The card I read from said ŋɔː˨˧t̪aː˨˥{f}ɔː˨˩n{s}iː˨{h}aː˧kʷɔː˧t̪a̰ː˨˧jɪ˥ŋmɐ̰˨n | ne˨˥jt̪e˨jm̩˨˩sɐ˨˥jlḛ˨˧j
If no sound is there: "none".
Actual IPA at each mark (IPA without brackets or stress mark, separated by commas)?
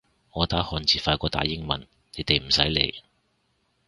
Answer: h, t͡s, f